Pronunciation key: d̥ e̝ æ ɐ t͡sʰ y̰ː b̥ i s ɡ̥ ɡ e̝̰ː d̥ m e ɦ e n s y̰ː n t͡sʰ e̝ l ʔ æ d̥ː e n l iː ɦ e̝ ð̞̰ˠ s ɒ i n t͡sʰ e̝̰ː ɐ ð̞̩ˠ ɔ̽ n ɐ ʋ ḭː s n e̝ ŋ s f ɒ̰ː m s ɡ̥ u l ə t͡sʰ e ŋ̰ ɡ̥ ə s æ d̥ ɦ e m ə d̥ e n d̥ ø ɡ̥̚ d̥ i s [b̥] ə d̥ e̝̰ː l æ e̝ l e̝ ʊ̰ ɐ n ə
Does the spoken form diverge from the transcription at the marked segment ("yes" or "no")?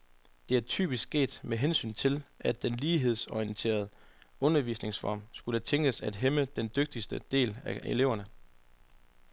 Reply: yes